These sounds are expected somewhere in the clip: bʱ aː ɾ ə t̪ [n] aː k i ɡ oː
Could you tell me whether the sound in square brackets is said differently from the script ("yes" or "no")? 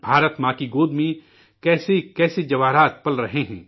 yes